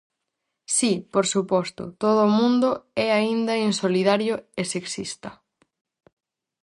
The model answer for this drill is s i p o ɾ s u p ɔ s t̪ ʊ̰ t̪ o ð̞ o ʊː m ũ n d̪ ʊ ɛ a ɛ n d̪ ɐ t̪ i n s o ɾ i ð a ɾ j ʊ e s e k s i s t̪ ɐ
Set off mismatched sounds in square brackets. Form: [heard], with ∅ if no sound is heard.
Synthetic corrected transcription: s i p o ɾ s u p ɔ s t̪ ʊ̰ t̪ o ð̞ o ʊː m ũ n d̪ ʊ ɛ a [i] n d̪ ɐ [∅] i n s o [l] i ð a ɾ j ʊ e s e k s i s t̪ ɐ